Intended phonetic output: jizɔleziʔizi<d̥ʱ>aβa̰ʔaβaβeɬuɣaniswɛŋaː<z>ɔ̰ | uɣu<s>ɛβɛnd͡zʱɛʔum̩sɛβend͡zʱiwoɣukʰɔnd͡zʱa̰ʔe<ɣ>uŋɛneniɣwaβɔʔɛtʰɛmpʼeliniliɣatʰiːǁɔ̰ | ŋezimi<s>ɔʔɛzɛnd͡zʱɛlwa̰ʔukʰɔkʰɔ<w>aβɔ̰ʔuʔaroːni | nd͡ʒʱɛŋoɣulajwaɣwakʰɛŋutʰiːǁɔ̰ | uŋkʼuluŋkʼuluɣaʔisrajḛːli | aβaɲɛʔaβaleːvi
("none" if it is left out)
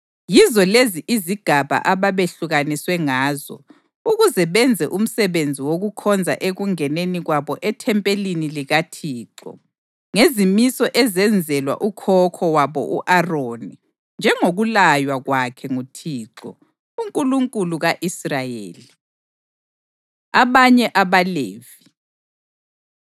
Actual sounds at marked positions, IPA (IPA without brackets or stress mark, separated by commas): ɡ̥ʱ, z, z, ɣ, s, w